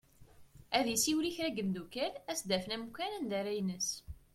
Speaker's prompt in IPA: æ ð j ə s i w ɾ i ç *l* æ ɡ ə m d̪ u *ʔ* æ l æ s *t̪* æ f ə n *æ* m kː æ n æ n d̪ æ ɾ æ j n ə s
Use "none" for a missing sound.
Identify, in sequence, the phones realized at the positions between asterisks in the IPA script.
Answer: ɾ, k, d̪, æ

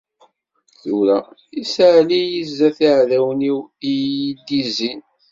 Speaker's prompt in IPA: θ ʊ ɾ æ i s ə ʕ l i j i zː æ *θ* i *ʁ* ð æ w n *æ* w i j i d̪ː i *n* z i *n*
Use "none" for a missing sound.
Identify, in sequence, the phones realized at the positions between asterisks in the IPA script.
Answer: θ, ʕ, i, none, n

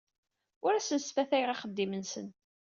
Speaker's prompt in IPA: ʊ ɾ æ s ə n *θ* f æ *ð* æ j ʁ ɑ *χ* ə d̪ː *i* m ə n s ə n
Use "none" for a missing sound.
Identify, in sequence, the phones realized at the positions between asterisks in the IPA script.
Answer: s, θ, χ, i

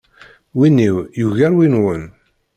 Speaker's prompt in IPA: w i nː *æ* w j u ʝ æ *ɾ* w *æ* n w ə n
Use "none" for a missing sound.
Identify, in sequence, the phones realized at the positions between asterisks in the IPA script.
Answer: i, ɾ, i

